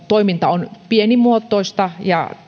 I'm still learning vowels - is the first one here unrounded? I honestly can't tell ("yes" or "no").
no